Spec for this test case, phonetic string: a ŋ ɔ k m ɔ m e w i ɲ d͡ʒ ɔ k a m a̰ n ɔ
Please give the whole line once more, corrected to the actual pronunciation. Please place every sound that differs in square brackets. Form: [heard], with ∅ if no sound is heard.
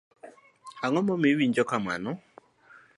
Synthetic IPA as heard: a ŋ ɔ [∅] m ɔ m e w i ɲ d͡ʒ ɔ k a m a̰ n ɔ